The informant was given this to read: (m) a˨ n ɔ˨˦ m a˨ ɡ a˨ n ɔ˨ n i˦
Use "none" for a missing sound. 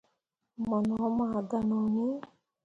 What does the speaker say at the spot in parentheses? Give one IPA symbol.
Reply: m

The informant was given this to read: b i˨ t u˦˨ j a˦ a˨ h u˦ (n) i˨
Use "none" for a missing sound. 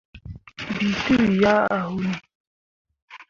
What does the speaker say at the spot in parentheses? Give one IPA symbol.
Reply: n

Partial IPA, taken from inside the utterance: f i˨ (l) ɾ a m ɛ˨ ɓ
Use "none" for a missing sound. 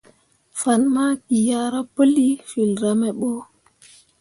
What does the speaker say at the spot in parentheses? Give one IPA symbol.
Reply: l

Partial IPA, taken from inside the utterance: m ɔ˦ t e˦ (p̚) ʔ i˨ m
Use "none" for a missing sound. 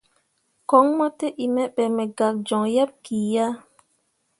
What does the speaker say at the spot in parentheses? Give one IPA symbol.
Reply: none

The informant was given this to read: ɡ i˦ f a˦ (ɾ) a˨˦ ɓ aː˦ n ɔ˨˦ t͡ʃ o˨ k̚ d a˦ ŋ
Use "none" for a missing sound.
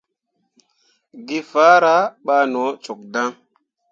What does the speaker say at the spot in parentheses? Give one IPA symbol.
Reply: ɾ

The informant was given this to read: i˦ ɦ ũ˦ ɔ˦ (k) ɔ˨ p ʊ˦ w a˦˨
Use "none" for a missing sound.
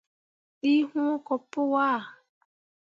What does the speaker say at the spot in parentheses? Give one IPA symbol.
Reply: k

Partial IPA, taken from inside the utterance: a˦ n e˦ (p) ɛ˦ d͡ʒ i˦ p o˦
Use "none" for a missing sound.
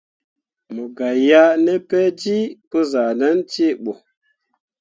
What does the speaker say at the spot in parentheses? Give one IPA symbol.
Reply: p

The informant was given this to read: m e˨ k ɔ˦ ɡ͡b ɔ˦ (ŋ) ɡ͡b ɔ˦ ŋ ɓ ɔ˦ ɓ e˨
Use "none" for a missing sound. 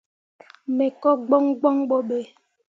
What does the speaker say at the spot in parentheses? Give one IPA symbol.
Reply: ŋ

